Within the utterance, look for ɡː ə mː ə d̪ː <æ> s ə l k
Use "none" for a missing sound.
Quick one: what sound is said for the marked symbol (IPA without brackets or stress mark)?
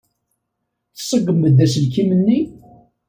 æ